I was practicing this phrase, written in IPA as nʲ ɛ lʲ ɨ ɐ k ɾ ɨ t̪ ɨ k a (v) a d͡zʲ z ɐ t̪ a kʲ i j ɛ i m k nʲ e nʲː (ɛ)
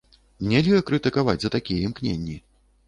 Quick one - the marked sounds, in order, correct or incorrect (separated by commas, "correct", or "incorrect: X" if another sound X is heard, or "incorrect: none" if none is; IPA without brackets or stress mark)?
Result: correct, incorrect: i